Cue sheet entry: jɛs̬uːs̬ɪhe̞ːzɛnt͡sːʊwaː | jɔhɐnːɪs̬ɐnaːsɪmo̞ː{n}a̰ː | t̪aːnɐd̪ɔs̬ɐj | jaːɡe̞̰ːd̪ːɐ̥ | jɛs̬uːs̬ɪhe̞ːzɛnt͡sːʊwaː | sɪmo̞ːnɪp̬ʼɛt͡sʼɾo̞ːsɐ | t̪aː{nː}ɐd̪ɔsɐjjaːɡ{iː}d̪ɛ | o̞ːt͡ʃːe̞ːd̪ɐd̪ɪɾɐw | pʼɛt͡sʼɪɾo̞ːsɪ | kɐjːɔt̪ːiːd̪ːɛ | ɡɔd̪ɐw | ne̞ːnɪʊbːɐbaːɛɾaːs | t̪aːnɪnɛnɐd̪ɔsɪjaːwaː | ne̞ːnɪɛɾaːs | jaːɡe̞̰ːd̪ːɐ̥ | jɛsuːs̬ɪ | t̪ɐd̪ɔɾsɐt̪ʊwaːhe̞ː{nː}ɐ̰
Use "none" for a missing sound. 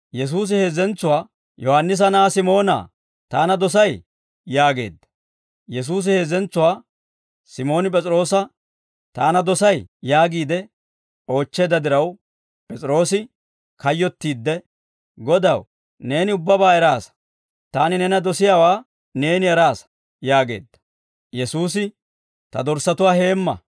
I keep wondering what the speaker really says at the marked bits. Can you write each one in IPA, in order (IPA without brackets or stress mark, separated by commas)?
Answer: n, n, iː, mː